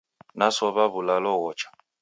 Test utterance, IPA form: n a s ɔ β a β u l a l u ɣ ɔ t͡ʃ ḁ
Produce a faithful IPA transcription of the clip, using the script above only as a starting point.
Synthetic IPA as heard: n a s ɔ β a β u l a l ɔ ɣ ɔ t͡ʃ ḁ